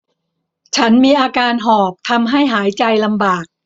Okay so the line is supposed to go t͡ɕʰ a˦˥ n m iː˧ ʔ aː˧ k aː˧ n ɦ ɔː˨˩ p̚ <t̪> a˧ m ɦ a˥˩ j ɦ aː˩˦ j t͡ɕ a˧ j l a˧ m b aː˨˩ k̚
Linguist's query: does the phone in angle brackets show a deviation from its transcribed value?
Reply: yes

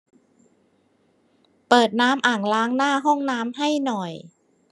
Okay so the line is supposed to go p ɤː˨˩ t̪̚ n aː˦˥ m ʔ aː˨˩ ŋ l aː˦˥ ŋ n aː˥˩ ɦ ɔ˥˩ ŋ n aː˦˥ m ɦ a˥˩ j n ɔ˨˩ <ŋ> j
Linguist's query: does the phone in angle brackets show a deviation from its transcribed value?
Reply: yes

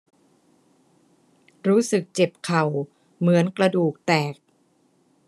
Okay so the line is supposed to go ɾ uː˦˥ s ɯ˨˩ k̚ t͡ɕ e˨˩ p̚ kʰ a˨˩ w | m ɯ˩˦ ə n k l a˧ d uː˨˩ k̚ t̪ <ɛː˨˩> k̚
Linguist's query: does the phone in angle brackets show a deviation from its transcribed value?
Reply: no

